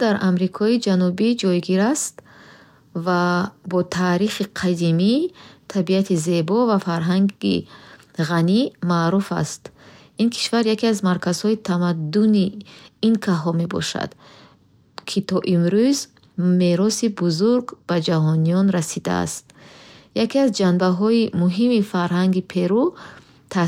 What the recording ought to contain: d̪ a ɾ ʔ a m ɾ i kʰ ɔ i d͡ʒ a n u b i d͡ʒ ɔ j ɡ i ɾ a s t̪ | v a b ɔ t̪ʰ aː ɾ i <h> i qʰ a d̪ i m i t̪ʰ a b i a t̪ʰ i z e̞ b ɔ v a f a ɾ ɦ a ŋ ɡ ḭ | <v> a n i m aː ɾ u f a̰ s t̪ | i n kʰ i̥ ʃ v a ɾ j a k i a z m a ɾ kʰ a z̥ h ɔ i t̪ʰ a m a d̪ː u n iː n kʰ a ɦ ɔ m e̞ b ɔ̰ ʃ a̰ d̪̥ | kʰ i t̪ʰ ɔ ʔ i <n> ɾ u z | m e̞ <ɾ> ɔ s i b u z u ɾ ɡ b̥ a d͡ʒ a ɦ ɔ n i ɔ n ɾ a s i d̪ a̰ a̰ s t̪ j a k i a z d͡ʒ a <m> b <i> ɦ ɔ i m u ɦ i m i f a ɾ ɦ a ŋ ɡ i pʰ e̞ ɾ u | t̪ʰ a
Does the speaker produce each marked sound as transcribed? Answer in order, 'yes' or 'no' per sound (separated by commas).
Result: no, no, no, yes, no, no